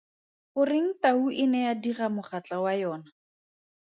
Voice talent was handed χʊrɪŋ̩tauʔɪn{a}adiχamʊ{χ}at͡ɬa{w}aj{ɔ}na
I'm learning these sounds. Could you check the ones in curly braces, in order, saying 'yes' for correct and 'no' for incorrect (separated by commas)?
no, yes, yes, no